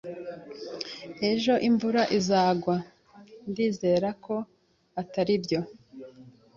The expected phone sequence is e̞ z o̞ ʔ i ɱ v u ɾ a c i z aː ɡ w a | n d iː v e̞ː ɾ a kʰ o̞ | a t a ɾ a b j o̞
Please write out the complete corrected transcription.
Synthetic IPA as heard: e̞ ʒ o̞ ʔ i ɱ v u ɾ a ʔ i z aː ɡ w a | n d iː z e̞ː ɾ a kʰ o̞ | a t a ɾ i b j o̞